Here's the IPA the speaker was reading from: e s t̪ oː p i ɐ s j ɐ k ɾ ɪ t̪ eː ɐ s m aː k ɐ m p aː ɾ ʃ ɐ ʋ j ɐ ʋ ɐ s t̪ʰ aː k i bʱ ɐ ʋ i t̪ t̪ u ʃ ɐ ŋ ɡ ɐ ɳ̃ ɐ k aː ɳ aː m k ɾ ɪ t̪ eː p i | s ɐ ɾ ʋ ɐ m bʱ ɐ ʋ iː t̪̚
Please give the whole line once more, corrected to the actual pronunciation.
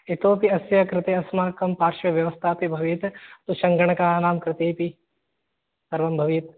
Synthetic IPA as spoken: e t̪ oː p i ɐ s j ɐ k ɾ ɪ t̪ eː ɐ s m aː k ɐ m p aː ɾ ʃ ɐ ʋ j ɐ ʋ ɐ s t̪ʰ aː p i bʱ ɐ ʋ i t̪ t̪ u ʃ ɐ ŋ ɡ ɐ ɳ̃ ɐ k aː n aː m k ɾ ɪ t̪ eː p i | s ɐ ɾ ʋ ɐ m bʱ ɐ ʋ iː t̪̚